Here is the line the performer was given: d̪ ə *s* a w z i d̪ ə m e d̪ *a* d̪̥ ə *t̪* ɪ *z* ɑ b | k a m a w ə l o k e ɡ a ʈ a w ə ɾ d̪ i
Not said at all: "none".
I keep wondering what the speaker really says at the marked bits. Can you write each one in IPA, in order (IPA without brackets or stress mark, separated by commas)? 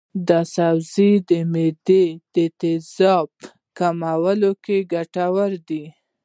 s, e, t̪, z